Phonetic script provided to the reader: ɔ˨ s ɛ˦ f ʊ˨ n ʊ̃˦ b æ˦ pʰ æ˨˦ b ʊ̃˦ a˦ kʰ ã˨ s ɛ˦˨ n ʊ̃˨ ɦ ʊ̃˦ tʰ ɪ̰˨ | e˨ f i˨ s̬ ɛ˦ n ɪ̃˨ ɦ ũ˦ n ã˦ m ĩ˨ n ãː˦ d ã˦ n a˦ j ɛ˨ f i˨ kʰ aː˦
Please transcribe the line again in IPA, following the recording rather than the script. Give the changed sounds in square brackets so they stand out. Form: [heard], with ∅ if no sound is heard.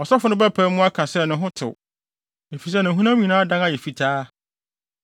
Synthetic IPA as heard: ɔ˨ s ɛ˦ f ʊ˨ n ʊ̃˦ b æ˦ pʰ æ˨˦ [m] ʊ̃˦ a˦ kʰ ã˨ s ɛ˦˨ n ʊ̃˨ ɦ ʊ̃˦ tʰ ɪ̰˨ | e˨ f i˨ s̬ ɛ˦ n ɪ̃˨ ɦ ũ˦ n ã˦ m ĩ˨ n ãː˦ d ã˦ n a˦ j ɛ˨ f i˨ [tʰ] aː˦

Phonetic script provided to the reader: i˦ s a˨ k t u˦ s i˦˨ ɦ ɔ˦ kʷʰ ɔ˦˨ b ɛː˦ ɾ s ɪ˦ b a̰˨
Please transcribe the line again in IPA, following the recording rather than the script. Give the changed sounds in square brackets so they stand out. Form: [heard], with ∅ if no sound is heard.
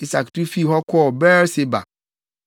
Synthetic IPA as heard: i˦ s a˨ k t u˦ [f] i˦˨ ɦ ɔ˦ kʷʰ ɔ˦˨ b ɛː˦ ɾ s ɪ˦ b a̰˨

